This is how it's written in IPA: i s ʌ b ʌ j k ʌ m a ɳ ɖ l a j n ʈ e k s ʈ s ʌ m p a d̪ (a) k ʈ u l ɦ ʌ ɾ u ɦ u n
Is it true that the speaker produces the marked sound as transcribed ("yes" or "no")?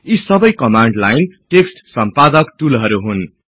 no